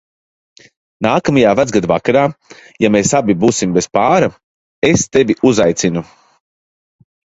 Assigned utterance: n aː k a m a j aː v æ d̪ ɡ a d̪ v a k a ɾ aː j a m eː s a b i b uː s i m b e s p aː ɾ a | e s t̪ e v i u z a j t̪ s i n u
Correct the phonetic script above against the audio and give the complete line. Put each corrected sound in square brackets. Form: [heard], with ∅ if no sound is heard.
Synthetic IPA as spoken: n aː k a m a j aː v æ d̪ ɡ a d̪ v a k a ɾ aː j a m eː s a b i b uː s i m b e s p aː ɾ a | e s t̪ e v i u z a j t̪ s i n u